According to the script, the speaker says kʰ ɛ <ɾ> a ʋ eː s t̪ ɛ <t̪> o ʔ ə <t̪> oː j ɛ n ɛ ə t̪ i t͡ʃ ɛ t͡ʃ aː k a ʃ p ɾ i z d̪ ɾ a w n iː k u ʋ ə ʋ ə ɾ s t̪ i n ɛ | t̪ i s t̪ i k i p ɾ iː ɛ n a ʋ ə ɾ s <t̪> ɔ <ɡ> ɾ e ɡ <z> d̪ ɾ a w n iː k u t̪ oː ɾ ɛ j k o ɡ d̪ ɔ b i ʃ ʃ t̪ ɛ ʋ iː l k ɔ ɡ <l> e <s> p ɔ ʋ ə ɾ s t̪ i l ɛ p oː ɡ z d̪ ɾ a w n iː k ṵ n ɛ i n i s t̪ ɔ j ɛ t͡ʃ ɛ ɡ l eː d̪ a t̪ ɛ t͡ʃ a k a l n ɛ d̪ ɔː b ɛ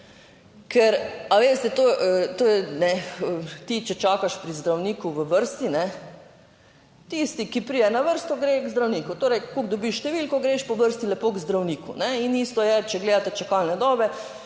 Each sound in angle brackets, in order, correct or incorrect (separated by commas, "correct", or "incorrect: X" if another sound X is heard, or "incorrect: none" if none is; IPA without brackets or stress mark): correct, correct, correct, correct, correct, correct, incorrect: ɾ, incorrect: ʃ